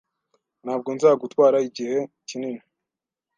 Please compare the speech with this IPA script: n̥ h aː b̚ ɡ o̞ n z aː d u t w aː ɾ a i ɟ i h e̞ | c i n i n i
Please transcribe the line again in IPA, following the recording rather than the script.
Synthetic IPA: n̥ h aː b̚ ɡ o̞ n z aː ɡ u t w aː ɾ a i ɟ i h e̞ | c i n i n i